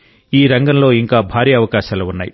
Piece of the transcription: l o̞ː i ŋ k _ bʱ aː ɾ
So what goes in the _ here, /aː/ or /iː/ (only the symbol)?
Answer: aː